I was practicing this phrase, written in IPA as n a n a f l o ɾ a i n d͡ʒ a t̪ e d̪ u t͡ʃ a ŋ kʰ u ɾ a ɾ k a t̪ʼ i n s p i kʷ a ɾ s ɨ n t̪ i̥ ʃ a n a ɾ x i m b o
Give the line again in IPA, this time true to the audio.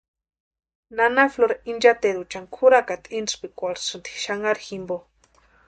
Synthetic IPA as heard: n a n a f l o ɾ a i n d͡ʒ a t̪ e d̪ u t͡ʃ a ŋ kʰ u ɾ a k a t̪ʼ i n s p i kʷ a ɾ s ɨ n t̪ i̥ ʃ a ŋ a ɾ x i m b o